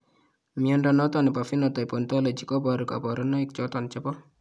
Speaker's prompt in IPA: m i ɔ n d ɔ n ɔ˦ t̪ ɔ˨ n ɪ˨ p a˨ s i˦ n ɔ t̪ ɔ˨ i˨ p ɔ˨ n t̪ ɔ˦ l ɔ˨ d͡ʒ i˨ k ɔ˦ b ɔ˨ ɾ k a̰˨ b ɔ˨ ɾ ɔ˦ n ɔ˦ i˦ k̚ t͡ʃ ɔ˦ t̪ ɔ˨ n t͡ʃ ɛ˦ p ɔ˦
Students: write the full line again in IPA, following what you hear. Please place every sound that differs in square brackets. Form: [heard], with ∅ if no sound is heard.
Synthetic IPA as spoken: m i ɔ n d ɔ n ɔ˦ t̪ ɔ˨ n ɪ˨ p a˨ [f] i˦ n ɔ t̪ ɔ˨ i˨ p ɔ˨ n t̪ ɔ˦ l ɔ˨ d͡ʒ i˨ k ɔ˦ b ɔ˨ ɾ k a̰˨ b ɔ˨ ɾ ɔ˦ n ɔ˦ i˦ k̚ t͡ʃ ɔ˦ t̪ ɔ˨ n t͡ʃ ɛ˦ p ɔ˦

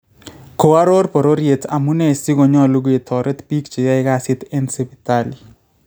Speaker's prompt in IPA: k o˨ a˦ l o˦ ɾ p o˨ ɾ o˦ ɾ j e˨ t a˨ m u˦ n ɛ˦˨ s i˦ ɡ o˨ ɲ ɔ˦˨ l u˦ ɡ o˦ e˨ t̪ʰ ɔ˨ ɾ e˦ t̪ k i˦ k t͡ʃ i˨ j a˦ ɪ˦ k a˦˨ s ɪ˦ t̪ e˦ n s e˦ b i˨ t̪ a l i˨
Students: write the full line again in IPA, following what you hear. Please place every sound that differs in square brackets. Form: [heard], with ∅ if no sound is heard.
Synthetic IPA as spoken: k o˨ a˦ [ɾ] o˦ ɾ p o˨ ɾ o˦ ɾ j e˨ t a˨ m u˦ n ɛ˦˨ s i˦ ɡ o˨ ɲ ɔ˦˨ l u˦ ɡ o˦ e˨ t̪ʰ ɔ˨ ɾ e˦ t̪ [p] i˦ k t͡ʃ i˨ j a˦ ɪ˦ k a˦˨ s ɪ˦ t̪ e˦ n s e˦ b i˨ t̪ a l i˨

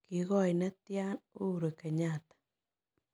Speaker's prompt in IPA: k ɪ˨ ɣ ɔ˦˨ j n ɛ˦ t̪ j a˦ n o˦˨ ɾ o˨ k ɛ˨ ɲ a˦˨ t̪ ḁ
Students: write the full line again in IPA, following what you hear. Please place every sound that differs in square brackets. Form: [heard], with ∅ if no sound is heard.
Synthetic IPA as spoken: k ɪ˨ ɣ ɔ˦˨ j n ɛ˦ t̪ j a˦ n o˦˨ ɾ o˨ k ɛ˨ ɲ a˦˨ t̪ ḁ

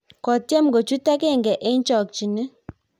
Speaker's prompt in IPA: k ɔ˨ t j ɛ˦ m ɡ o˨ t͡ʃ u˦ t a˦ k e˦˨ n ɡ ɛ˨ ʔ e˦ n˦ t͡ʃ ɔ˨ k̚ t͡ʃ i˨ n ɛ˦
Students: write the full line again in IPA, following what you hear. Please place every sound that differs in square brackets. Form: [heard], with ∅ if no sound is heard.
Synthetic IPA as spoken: k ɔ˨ t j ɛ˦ m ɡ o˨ t͡ʃ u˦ t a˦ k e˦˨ [ŋ] ɡ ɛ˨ ʔ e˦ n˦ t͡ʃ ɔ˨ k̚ t͡ʃ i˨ n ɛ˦

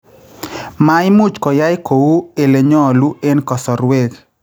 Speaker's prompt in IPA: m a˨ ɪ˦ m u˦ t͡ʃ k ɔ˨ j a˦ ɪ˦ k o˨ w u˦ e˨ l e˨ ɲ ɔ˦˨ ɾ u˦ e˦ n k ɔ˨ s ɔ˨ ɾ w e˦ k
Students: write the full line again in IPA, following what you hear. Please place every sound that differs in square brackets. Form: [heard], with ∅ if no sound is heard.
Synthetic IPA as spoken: m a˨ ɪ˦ m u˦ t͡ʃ k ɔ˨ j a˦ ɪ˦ k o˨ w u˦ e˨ l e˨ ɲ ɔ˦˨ [l] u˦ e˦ n k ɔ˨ s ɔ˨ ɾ w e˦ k

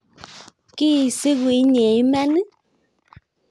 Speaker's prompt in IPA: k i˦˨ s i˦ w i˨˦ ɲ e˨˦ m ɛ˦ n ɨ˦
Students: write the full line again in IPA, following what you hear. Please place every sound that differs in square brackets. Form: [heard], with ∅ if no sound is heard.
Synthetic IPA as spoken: k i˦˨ s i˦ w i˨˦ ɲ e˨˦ m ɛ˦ n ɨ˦

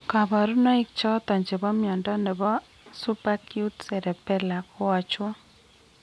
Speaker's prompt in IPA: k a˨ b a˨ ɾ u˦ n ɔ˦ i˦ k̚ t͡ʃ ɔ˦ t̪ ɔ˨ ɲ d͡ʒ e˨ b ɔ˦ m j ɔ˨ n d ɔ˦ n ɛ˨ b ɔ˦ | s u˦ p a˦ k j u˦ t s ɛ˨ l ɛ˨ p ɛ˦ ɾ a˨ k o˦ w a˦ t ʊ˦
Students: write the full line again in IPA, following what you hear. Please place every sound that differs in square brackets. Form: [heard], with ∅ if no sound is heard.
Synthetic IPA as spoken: k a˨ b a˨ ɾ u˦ n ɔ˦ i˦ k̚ t͡ʃ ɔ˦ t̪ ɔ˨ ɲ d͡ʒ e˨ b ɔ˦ m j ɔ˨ n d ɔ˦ n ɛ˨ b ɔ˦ | s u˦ p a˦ k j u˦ t s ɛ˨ [ɾ] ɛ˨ p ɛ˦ [l] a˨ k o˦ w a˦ [t͡ʃ] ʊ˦

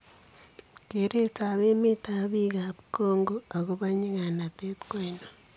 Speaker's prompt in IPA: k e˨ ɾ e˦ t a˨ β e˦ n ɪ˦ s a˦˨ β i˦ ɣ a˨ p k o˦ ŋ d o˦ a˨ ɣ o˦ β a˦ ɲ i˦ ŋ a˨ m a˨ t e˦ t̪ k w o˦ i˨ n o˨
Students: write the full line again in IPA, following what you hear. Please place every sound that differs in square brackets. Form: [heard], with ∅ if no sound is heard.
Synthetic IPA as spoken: k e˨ ɾ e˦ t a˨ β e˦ [m] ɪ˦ [t] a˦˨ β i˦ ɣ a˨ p k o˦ ŋ [ɡ] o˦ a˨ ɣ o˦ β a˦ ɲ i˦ ŋ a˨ [n] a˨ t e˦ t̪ k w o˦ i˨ n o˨

